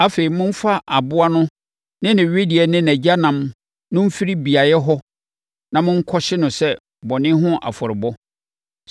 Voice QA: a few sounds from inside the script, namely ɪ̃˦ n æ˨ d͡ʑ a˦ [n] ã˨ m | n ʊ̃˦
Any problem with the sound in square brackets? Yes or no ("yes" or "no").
no